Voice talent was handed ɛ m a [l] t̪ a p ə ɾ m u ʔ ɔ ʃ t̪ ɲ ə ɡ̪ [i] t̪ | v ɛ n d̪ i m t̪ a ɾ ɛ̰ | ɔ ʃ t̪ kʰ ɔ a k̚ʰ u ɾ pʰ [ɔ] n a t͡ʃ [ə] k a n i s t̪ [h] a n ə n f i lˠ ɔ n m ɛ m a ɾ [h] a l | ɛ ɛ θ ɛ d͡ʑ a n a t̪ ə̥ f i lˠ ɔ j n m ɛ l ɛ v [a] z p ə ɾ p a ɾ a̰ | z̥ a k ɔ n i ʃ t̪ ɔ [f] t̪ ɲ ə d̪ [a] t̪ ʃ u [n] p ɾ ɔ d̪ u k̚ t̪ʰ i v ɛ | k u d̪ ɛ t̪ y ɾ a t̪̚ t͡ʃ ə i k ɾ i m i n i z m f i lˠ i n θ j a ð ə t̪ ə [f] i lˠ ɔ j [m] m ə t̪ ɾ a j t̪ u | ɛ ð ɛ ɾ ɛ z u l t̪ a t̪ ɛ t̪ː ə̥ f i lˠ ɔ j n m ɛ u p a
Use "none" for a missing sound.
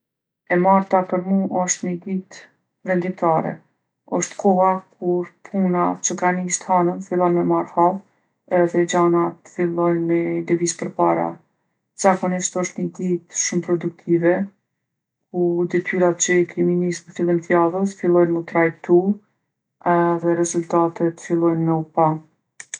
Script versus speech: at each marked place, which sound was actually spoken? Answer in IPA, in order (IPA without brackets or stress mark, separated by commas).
ɾ, i, u, ə, h, h, i, ʃ, i, m, f, n